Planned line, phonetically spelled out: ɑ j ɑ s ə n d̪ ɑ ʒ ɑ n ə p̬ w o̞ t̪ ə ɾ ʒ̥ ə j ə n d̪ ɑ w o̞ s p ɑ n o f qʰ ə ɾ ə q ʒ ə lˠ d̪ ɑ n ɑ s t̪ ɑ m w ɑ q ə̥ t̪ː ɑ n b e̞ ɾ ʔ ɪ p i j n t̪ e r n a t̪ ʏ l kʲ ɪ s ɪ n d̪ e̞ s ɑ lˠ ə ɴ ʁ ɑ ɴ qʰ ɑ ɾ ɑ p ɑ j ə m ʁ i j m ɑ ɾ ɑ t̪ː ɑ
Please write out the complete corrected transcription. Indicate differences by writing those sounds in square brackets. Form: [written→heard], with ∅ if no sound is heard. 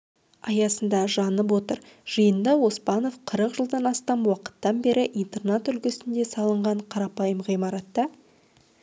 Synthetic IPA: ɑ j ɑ s ə n d̪ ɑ ʒ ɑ n ə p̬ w o̞ t̪ ə ɾ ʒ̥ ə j ə n d̪ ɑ w o̞ s p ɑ n o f qʰ ə ɾ ə q ʒ ə lˠ d̪ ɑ n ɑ s t̪ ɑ m w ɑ q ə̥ t̪ː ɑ n b e̞ ɾ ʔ ɪ [p→ʔ] i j n t̪ e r n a t̪ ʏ l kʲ ɪ s ɪ n d̪ e̞ s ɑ lˠ ə ɴ ʁ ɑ ɴ qʰ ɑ ɾ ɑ p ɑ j ə m ʁ i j m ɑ ɾ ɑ t̪ː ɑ